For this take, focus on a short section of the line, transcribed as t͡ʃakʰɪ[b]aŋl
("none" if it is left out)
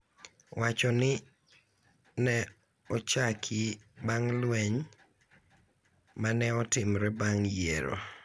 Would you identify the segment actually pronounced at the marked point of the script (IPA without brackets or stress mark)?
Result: b